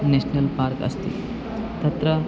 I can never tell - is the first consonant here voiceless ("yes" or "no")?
no